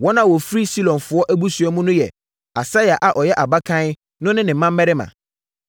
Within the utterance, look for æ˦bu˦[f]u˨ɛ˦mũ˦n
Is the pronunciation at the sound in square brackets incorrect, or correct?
incorrect